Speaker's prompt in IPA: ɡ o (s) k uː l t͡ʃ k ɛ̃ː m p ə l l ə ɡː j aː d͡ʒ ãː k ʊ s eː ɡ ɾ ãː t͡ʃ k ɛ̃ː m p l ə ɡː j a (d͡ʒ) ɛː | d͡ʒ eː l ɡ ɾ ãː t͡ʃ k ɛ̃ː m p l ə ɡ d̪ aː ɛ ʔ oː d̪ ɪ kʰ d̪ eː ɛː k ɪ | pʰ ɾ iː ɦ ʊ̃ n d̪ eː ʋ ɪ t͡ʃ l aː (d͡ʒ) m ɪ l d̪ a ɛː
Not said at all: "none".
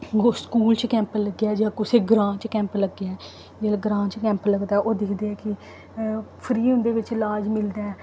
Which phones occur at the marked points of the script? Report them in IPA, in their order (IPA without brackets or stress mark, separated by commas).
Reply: s, none, d͡ʒ